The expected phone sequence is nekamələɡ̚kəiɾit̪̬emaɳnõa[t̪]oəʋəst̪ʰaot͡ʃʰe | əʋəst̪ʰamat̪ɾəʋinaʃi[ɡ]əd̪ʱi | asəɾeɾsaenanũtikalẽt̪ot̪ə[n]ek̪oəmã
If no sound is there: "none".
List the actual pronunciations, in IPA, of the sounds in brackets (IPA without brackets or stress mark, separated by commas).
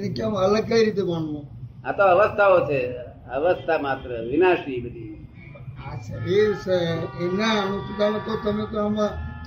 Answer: t̪, b, m